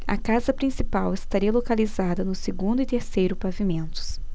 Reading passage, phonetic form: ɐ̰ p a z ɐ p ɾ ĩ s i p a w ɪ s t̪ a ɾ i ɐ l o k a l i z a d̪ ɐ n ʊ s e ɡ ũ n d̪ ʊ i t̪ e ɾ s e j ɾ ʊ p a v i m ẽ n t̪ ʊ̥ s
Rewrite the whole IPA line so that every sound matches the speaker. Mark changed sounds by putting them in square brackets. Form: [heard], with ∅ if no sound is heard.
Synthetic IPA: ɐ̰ [k] a z ɐ p ɾ ĩ s i p a w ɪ s t̪ a ɾ i ɐ l o k a l i z a d̪ ɐ n ʊ s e ɡ ũ n d̪ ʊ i t̪ e ɾ s e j ɾ ʊ p a v i m ẽ n t̪ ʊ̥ s